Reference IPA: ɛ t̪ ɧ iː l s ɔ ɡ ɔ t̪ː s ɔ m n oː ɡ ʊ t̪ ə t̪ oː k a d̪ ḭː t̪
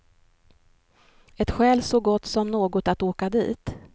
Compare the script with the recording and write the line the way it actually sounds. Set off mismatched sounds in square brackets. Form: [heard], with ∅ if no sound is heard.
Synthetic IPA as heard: ɛ t̪ ɧ [ɛː] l s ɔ ɡ ɔ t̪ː s ɔ m n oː ɡ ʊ t̪ [a] t̪ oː k a d̪ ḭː t̪